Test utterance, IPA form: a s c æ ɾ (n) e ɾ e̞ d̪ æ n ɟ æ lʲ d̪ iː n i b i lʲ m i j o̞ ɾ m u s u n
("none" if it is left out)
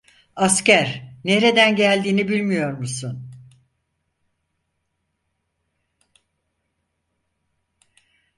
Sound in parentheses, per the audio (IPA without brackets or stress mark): n